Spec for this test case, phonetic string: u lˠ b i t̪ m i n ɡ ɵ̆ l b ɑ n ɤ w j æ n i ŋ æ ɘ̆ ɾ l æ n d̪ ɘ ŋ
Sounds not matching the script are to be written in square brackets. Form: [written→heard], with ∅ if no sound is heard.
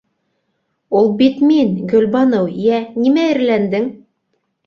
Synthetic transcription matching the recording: u lˠ b i t̪ m i n ɡ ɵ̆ l b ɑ n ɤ w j æ n i [ŋ→m] æ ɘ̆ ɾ l æ n d̪ ɘ ŋ